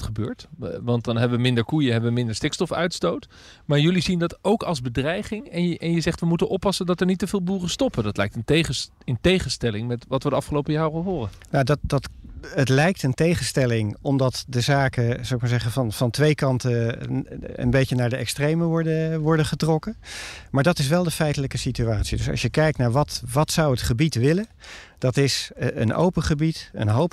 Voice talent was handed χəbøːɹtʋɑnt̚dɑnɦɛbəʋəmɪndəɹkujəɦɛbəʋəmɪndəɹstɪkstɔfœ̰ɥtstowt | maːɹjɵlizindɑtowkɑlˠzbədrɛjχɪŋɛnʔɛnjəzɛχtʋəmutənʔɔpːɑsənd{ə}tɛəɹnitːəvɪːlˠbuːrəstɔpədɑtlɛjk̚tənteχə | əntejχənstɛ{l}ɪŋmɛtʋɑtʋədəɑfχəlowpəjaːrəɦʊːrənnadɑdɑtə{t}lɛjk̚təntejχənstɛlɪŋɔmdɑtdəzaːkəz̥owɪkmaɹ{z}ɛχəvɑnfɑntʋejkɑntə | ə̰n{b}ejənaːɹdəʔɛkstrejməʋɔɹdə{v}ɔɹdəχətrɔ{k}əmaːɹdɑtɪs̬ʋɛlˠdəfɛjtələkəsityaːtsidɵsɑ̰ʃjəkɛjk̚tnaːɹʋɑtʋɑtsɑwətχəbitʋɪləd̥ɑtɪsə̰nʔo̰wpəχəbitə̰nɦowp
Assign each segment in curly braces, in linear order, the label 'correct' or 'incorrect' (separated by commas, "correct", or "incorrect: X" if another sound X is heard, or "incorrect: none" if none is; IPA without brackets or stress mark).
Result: incorrect: ɑ, correct, correct, correct, correct, incorrect: ʋ, correct